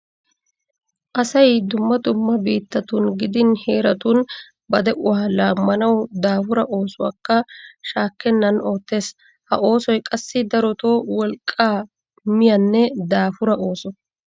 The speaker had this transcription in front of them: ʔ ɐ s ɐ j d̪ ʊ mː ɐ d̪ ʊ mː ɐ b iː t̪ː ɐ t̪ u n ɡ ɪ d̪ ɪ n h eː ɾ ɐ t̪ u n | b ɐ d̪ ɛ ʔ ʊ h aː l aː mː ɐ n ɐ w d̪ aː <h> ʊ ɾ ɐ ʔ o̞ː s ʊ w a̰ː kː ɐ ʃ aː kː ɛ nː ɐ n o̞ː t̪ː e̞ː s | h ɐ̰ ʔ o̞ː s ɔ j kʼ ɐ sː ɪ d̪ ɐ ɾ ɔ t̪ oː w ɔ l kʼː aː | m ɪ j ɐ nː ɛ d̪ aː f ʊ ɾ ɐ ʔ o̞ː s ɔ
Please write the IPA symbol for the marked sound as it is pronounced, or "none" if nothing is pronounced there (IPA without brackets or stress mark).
f